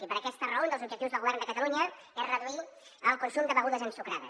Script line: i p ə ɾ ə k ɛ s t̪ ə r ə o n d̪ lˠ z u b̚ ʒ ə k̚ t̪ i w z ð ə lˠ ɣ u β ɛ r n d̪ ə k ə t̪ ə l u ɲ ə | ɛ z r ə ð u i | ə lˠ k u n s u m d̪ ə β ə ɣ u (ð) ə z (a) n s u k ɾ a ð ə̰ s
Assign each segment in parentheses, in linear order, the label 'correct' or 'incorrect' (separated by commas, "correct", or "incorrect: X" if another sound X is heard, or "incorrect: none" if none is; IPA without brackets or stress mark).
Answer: correct, incorrect: ə